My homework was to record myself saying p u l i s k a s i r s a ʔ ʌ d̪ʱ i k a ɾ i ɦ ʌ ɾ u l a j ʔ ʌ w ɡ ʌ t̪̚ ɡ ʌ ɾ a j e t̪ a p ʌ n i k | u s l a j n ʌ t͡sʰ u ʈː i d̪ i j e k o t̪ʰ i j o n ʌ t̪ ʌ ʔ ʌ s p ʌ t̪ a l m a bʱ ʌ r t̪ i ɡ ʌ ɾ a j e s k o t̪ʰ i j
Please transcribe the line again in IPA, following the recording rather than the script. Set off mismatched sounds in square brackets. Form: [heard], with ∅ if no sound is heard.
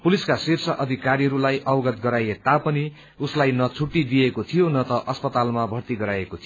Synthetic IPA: p u l i s k a s i r s [ʌ] ʔ ʌ d̪ʱ i k a ɾ i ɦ ʌ ɾ u l a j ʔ ʌ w ɡ ʌ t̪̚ ɡ ʌ ɾ a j e t̪ a p ʌ n i [∅] | u s l a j n ʌ t͡sʰ u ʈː i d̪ i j e k o t̪ʰ i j o n ʌ t̪ ʌ ʔ ʌ s p ʌ t̪ a l m a bʱ ʌ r t̪ i ɡ ʌ ɾ a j e [∅] k o t̪ʰ i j